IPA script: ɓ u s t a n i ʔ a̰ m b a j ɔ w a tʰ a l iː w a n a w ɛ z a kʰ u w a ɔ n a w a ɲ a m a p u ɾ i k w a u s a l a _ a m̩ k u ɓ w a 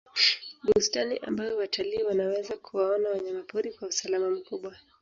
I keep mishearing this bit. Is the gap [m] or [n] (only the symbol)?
m